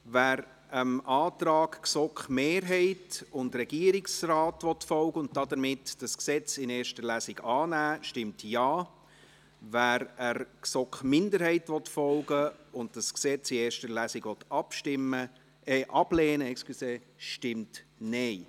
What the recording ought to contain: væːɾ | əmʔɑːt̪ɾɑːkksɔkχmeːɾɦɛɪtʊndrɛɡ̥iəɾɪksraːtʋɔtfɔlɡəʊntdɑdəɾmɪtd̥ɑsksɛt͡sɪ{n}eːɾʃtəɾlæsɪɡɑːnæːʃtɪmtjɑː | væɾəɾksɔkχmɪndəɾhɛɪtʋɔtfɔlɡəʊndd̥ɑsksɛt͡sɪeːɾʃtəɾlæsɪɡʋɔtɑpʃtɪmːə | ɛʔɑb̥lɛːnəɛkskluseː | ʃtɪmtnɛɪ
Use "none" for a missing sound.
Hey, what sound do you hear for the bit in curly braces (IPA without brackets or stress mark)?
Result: n